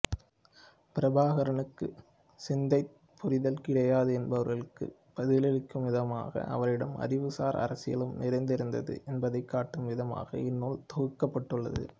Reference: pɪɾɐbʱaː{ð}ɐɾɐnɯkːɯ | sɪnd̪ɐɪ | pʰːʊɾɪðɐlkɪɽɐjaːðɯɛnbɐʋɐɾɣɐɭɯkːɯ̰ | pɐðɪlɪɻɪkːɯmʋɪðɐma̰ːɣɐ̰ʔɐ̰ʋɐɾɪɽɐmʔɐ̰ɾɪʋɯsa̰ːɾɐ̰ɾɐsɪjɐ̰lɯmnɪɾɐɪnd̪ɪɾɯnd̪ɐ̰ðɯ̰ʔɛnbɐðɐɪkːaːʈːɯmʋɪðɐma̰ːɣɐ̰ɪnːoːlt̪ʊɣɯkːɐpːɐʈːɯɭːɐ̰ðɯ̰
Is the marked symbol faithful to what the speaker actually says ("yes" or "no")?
no